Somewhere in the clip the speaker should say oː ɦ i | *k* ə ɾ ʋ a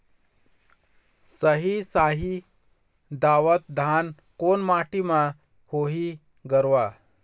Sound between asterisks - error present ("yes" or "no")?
yes